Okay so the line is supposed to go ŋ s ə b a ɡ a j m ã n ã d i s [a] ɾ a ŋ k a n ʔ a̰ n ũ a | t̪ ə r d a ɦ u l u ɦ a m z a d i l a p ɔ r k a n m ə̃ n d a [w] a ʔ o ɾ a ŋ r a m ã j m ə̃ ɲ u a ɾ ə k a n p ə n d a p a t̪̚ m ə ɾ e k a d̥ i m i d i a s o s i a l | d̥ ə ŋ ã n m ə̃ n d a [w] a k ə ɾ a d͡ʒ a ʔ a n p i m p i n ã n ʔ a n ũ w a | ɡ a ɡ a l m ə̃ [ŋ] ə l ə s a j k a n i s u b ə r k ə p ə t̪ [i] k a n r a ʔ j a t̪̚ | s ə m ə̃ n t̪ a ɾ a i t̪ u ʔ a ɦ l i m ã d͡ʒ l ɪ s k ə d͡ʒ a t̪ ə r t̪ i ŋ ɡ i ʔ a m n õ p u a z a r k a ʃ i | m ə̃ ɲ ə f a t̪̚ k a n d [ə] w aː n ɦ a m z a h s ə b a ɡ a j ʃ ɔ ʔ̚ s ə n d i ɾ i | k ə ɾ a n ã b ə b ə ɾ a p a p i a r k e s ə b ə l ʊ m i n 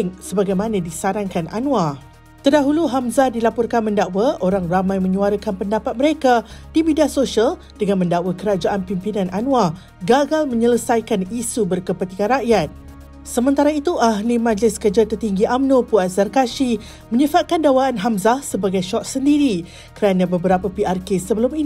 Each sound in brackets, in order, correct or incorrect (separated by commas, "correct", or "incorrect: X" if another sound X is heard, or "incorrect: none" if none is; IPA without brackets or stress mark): correct, correct, correct, incorrect: ɲ, correct, incorrect: a